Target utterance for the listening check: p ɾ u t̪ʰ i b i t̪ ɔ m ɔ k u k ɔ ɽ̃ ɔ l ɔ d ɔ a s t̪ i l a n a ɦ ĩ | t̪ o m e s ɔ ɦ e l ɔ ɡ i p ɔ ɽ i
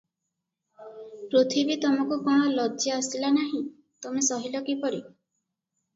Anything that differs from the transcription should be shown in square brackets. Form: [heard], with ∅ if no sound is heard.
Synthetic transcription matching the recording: p ɾ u t̪ʰ i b i t̪ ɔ m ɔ k u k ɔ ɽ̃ ɔ l ɔ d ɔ a s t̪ i l a n a ɦ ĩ | t̪ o m e s ɔ ɦ [i] l ɔ [k] i p ɔ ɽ i